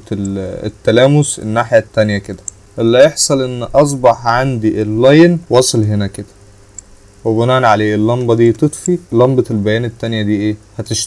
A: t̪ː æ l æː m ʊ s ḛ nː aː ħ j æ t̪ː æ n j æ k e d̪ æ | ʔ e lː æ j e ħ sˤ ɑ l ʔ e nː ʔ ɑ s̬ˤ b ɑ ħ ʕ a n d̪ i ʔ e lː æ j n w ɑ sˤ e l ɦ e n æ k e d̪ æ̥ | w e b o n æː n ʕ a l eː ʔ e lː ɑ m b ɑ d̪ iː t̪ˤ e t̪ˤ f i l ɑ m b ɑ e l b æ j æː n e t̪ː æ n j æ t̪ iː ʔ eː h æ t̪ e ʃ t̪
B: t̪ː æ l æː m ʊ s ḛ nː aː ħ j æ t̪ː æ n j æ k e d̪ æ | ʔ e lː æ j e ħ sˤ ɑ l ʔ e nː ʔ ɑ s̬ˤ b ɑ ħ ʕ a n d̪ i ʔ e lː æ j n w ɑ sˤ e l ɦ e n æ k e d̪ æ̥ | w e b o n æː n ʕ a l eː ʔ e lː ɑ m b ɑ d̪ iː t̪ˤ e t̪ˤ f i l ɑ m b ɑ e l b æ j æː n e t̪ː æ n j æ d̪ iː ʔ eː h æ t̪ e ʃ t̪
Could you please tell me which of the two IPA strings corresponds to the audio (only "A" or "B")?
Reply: B